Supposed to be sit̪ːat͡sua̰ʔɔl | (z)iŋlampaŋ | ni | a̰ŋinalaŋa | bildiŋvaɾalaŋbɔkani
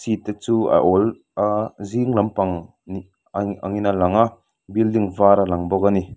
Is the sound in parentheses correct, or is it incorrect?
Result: correct